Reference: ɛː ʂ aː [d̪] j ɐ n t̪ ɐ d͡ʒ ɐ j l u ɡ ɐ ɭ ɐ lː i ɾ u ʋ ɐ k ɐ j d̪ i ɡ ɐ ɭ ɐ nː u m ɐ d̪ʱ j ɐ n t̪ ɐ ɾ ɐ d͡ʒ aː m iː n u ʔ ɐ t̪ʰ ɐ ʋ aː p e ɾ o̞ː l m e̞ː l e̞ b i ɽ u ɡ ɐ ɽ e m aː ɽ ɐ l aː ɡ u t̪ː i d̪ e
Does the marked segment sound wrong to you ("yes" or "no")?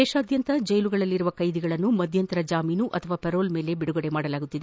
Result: no